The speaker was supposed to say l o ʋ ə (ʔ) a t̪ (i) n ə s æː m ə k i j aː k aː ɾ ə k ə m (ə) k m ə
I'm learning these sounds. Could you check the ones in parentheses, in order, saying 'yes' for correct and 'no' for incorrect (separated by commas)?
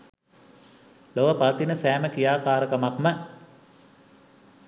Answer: no, yes, no